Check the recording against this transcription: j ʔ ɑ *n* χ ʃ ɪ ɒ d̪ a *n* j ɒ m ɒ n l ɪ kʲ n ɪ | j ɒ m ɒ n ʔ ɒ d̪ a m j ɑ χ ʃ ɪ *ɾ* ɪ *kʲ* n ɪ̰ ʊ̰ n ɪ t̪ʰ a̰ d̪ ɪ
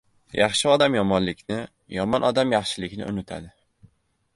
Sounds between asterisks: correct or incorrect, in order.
incorrect: none, incorrect: m, incorrect: l, correct

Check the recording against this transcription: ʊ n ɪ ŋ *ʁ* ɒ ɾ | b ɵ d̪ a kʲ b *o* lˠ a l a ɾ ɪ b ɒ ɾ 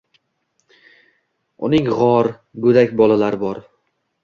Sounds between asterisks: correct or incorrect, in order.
correct, incorrect: ɒ

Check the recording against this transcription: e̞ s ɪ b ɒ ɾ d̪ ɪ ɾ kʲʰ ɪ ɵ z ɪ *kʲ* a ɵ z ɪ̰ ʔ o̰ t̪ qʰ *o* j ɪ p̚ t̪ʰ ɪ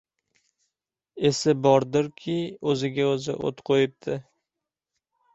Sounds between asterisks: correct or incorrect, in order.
incorrect: ɡʲ, correct

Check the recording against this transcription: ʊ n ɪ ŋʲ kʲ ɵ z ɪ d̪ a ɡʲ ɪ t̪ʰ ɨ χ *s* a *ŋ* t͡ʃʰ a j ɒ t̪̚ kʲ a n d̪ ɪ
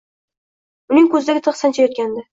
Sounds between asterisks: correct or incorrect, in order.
correct, incorrect: n

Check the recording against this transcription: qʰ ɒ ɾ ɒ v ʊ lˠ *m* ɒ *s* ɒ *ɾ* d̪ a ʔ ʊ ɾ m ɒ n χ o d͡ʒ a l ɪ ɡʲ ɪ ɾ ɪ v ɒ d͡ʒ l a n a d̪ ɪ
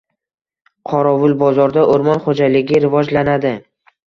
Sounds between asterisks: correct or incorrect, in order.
incorrect: b, incorrect: z, correct

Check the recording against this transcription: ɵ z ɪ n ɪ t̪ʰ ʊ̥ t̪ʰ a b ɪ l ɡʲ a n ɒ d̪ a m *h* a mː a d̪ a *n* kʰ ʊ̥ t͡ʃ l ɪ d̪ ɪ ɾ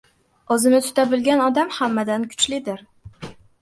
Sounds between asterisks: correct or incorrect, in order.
correct, correct

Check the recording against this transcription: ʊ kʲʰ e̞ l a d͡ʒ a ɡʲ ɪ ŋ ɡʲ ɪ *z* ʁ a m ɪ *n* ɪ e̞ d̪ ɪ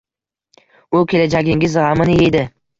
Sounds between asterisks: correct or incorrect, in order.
correct, correct

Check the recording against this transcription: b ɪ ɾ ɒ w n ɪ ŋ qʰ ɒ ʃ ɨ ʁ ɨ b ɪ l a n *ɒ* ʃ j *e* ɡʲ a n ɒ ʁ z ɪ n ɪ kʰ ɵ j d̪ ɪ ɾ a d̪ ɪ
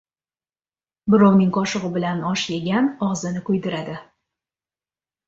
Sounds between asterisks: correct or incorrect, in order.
correct, correct

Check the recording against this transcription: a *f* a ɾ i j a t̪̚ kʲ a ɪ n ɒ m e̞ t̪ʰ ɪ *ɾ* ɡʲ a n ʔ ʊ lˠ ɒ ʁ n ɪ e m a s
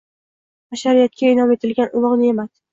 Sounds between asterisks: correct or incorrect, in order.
incorrect: ʃ, incorrect: l

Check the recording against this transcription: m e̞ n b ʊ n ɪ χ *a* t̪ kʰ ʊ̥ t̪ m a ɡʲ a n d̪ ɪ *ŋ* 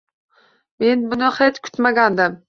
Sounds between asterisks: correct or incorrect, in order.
incorrect: e, incorrect: m

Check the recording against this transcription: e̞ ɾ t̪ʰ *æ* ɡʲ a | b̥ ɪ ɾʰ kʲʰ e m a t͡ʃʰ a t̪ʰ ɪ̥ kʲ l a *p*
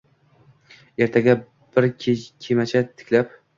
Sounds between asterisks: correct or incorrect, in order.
incorrect: a, correct

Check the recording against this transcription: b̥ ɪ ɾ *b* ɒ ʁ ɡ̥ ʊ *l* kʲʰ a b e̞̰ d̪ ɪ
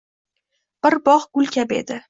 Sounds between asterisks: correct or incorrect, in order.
correct, correct

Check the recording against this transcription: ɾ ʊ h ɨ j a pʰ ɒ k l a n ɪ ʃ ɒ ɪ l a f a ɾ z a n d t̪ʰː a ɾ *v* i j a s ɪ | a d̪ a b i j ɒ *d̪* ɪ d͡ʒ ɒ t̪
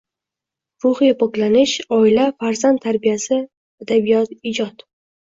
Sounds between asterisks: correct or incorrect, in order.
incorrect: b, incorrect: t̪

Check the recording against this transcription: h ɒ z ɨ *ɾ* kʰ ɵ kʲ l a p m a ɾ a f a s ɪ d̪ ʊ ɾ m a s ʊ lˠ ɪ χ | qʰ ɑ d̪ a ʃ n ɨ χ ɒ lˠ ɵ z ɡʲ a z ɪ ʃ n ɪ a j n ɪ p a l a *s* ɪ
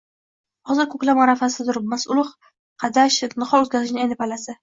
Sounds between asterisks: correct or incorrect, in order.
correct, correct

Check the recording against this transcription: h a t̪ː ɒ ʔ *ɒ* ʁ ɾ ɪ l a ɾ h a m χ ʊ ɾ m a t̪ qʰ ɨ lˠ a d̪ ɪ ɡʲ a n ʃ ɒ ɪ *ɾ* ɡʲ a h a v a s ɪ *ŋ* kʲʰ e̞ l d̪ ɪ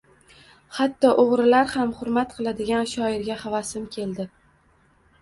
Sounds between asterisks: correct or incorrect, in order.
incorrect: o, correct, incorrect: m

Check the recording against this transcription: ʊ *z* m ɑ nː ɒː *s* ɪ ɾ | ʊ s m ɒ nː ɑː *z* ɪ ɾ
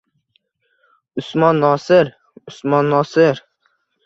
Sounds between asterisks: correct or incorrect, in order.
incorrect: s, correct, incorrect: s

